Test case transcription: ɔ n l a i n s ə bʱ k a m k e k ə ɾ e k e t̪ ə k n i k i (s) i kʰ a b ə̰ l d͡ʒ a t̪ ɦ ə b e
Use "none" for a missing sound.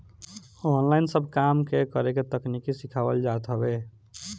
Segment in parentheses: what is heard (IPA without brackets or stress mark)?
s